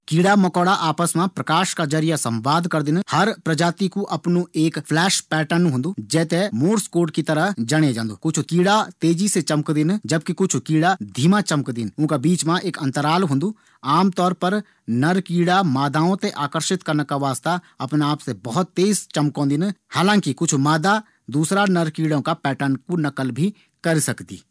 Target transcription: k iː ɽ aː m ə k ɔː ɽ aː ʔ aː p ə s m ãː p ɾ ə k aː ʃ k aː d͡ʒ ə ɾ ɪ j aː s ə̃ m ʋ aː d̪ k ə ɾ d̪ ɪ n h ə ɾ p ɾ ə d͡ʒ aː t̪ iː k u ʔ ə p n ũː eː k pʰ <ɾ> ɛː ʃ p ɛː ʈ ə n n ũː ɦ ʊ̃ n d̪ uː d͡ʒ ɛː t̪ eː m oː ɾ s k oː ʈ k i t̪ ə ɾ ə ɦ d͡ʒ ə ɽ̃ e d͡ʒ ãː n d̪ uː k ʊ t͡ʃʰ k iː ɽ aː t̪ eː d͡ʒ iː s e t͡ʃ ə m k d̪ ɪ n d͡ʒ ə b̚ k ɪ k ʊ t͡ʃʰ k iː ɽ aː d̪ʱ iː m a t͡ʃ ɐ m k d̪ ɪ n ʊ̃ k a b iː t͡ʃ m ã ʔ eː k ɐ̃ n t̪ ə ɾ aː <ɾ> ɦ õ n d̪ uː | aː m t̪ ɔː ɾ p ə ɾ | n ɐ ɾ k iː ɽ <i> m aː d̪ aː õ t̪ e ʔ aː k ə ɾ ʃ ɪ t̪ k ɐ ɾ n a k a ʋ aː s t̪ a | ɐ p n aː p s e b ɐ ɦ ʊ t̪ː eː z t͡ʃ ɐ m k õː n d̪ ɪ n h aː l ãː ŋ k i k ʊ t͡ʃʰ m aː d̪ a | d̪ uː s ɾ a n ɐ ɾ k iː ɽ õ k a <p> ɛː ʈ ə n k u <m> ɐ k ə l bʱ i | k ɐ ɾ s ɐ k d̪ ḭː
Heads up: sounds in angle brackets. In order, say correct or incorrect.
incorrect, incorrect, incorrect, correct, incorrect

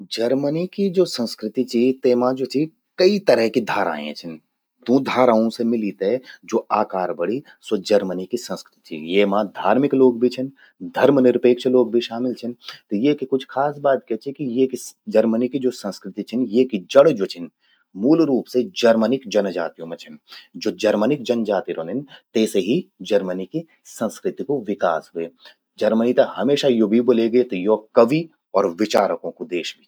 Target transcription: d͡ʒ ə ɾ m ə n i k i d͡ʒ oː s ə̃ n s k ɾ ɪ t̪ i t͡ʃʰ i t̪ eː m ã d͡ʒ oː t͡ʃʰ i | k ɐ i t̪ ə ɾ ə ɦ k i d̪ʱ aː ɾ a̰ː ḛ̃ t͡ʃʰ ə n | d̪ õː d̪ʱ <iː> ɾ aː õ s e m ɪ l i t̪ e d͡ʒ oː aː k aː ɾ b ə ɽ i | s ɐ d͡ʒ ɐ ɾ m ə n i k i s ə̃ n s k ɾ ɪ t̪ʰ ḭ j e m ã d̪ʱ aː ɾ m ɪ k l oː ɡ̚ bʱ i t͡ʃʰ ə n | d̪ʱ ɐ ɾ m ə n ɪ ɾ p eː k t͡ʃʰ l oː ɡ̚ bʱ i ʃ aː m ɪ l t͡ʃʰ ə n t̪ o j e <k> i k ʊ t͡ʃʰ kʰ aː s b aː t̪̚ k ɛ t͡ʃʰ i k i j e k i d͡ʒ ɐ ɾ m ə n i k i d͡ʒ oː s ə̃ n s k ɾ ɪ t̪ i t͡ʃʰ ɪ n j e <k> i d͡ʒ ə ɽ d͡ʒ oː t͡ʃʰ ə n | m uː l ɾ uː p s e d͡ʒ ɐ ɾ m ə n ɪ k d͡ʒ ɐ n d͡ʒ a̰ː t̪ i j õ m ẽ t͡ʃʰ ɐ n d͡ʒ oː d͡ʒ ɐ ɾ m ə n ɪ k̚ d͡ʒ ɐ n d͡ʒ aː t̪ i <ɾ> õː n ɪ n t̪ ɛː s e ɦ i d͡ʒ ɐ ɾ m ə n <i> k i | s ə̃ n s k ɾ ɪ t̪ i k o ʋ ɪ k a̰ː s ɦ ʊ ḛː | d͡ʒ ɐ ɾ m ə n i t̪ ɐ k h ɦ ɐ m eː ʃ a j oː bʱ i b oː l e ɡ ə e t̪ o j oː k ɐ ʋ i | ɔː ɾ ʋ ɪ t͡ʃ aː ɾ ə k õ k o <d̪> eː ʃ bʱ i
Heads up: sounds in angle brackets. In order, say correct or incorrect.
incorrect, correct, correct, correct, correct, correct

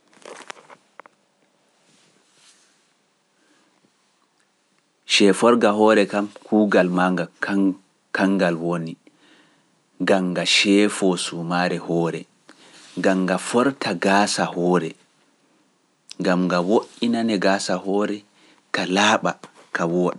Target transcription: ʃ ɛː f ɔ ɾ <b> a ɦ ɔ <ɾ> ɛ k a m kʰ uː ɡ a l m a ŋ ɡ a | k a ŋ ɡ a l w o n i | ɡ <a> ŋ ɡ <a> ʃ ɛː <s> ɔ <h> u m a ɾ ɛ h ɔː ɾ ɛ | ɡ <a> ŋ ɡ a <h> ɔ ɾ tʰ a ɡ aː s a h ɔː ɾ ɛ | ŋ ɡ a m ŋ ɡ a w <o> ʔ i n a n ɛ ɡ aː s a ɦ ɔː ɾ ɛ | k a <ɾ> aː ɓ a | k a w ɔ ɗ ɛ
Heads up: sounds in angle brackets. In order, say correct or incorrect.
incorrect, correct, correct, correct, incorrect, incorrect, correct, incorrect, correct, incorrect

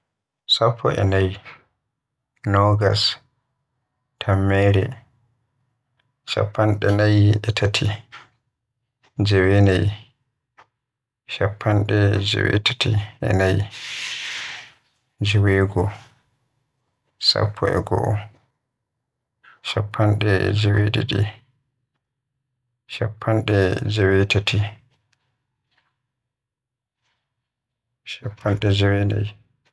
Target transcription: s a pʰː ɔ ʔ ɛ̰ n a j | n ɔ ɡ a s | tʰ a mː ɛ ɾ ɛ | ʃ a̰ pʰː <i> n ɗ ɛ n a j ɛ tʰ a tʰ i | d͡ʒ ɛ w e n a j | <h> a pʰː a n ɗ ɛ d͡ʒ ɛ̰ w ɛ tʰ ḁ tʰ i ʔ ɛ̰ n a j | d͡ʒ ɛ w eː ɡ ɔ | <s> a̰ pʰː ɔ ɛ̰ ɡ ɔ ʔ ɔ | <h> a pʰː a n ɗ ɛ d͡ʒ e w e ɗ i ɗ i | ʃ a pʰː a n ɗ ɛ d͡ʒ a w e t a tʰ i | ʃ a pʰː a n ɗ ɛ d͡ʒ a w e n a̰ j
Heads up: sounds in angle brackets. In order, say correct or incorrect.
incorrect, incorrect, correct, incorrect

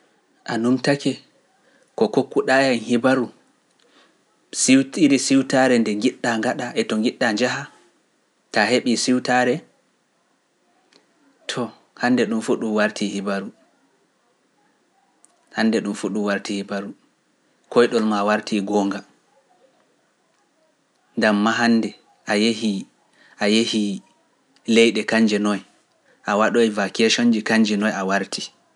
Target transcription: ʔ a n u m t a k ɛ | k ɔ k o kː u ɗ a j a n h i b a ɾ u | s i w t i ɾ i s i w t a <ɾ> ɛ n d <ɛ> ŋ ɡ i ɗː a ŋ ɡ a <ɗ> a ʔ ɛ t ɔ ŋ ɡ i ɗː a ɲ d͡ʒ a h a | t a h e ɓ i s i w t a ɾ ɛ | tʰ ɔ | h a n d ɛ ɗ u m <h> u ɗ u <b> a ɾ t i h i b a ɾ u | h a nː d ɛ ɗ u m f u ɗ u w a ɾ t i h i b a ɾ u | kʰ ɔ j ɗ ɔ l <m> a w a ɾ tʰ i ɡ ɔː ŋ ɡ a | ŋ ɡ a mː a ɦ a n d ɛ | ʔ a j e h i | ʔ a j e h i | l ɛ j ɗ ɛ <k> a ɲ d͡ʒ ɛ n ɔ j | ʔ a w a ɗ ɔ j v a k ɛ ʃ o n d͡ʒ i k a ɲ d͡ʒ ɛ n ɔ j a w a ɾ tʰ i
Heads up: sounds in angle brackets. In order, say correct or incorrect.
correct, correct, correct, incorrect, incorrect, correct, correct

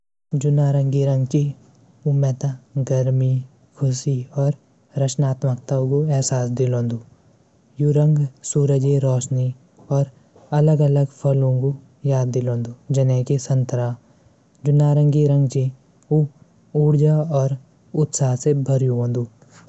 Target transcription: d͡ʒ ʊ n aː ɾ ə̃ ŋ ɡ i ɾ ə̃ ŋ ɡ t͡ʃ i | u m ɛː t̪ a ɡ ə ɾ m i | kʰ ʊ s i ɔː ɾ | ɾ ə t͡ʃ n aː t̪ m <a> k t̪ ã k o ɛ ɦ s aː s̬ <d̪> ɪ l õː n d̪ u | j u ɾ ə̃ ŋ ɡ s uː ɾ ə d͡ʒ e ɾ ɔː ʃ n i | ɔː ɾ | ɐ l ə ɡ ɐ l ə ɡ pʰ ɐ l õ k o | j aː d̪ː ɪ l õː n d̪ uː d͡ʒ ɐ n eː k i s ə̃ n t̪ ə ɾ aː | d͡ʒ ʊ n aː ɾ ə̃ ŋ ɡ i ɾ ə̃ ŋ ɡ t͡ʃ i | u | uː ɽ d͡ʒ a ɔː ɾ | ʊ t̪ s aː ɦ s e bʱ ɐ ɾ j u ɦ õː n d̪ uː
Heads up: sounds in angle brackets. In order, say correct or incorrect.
incorrect, correct

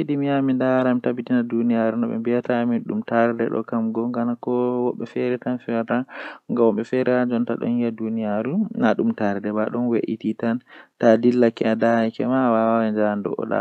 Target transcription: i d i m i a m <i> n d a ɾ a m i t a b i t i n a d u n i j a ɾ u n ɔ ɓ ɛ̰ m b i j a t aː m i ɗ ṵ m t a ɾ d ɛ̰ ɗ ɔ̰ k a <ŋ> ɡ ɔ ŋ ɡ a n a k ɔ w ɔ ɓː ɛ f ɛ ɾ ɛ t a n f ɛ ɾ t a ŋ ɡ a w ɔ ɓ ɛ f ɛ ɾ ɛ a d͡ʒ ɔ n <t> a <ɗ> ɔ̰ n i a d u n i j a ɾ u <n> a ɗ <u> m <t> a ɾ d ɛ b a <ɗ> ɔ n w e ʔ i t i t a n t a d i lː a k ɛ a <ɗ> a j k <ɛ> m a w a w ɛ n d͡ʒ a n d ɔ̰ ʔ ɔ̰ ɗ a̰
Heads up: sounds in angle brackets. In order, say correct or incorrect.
correct, incorrect, correct, correct, correct, correct, correct, correct, incorrect, correct

